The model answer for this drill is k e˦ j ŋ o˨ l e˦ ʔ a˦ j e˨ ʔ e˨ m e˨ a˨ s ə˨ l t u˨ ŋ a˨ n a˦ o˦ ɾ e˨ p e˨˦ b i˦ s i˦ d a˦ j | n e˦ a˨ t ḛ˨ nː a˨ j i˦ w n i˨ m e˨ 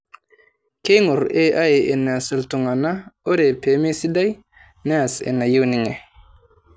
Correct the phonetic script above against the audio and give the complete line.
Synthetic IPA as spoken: k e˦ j ŋ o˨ ɾ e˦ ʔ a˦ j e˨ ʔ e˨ n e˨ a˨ s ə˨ l t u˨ ŋ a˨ n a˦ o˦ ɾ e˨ p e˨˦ m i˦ s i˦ d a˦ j | n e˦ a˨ s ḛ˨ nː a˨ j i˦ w n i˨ ŋ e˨